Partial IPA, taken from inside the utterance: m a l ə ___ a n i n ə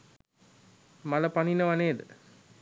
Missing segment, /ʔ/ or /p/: p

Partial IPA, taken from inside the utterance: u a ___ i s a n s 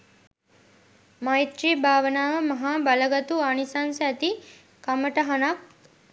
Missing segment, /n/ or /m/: n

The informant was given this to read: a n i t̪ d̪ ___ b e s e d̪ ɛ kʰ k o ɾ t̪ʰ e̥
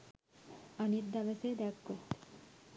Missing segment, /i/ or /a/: a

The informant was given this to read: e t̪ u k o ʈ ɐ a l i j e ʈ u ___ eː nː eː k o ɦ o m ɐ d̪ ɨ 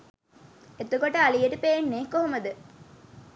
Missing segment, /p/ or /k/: p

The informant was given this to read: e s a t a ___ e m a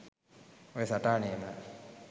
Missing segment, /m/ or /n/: n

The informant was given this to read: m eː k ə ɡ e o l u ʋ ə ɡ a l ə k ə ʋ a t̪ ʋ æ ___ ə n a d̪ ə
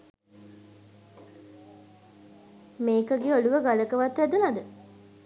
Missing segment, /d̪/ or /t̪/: d̪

